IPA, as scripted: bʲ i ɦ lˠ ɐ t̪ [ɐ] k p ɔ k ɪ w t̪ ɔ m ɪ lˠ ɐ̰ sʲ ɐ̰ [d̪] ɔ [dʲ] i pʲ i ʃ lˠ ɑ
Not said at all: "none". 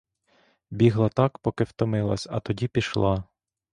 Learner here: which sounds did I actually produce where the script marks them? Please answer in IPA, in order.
ɑ, t̪, dʲ

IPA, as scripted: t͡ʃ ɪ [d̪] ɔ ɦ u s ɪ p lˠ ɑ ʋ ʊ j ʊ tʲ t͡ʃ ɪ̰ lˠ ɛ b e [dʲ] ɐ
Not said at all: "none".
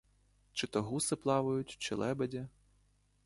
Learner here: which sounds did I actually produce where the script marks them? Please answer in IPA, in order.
t̪, dʲ

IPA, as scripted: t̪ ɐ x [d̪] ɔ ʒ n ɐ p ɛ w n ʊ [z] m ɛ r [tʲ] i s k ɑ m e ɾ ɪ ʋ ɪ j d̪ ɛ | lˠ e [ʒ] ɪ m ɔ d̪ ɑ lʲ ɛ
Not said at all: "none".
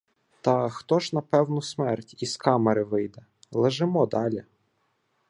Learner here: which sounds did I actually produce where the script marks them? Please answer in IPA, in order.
t̪, s, tʲ, ʒ

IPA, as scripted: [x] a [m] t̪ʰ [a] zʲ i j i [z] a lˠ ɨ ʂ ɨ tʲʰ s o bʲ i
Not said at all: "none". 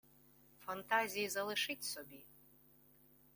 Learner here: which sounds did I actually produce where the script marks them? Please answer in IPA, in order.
f, n, a, z

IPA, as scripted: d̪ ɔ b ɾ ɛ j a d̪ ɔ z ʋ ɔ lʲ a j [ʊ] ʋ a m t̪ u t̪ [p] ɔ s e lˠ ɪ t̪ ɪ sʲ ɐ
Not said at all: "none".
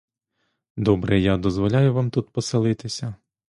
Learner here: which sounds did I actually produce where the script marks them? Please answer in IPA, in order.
ʊ, p

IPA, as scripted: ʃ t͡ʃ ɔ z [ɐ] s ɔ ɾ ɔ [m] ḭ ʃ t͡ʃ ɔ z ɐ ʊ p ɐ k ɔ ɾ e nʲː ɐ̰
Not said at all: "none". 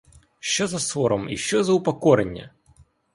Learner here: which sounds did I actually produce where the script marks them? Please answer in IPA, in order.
ɐ, m

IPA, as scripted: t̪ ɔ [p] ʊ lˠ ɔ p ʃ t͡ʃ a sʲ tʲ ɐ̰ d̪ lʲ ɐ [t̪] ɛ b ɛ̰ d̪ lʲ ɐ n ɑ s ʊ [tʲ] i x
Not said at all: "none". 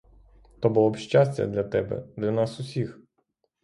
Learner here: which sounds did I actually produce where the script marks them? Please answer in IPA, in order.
b, t̪, sʲ

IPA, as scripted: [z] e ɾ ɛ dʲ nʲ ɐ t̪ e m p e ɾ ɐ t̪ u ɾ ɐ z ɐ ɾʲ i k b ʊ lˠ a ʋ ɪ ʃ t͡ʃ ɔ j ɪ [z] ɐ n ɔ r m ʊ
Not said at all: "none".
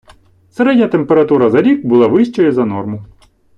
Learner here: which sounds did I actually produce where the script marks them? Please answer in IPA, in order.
s, z

